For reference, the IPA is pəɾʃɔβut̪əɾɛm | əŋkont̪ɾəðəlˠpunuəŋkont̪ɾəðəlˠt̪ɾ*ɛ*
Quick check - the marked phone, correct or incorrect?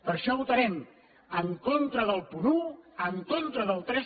correct